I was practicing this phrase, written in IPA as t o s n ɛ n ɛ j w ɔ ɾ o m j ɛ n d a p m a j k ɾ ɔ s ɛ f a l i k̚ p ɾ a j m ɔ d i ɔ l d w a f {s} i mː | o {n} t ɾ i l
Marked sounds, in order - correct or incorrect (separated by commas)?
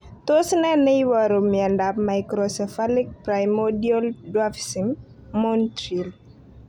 correct, correct